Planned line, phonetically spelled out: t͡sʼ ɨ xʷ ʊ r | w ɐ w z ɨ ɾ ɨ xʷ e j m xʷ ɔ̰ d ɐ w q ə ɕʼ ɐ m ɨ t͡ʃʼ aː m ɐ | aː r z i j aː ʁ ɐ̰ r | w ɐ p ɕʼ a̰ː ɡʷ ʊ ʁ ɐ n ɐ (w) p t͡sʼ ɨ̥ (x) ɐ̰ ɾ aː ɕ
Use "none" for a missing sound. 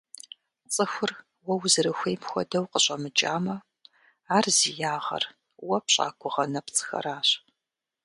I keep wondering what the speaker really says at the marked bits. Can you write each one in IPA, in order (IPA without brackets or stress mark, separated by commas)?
none, x